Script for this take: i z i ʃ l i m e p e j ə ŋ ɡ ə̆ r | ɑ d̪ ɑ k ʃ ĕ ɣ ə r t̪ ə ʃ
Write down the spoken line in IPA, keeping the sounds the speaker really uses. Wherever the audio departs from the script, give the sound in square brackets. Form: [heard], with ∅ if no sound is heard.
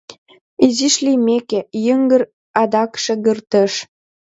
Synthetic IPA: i z i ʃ l i m e [k] e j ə ŋ ɡ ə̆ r | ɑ d̪ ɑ k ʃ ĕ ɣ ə r t̪ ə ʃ